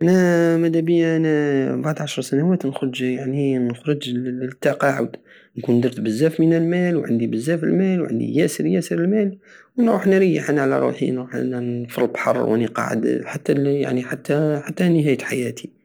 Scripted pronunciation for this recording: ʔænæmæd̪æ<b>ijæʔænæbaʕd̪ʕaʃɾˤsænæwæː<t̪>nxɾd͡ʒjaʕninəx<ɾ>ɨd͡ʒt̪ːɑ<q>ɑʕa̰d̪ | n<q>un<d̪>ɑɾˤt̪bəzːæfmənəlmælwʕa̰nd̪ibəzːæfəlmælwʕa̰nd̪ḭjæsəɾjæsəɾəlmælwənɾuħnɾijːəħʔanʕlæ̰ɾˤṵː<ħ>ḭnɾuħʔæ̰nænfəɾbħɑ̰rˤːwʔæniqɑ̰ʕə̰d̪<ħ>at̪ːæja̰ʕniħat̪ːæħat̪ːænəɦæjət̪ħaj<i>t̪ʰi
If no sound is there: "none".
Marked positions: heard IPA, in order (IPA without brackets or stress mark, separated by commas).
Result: b, t̪, ɾ, q, k, d̪, ħ, ħ, æ